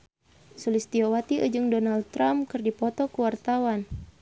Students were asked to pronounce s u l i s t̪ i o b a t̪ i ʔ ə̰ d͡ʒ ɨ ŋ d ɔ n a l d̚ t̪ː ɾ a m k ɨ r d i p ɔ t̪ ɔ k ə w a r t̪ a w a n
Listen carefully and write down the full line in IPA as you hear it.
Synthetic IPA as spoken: s u l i s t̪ i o w a t̪ i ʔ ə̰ d͡ʒ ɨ ŋ d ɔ n a l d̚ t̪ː ɾ a m k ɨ r d i p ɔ t̪ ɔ k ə w a r t̪ a w a n